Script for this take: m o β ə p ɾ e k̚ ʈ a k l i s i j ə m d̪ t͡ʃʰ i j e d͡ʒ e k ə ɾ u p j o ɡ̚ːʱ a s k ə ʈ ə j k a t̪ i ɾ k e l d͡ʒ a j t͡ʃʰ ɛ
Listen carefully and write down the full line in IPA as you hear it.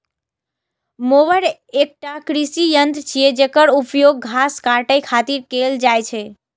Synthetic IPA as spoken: m o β ə ɾ e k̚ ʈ a k ɾ i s i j ə n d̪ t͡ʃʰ i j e d͡ʒ e k ə ɾ u p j o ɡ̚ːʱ a s k a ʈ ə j kʰ a t̪ i ɾ k e l d͡ʒ a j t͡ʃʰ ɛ